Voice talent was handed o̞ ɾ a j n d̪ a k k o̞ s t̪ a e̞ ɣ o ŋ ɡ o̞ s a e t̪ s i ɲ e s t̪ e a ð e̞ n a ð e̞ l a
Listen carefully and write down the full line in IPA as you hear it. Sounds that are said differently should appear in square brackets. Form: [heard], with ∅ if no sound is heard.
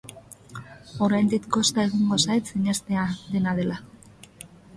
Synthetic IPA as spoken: o̞ ɾ a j n d̪ [i] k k o̞ s t̪ a e̞ ɣ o ŋ ɡ o̞ s a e t̪ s i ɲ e s t̪ e a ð e̞ n a ð e̞ l a